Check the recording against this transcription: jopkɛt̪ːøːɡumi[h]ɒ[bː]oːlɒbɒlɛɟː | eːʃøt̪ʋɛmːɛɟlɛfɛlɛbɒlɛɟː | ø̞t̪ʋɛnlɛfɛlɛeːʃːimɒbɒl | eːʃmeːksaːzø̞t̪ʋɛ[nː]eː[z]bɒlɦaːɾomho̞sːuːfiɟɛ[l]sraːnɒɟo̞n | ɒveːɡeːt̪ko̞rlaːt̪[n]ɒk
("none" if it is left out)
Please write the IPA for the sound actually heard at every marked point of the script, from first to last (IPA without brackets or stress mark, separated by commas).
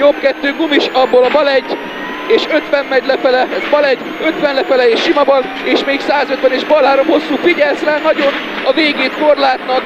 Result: ʃ, bː, n, ʒ, l, n